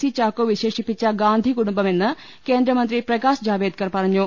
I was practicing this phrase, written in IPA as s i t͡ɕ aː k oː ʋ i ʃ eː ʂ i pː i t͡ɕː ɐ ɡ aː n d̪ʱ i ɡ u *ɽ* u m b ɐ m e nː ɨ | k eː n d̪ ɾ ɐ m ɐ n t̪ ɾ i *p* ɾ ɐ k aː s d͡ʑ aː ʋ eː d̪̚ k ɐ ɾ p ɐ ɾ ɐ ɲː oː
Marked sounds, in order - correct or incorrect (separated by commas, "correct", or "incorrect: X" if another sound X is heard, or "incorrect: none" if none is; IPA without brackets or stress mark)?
correct, correct